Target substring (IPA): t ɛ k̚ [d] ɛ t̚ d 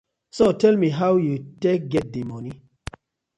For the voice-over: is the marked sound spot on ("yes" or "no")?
no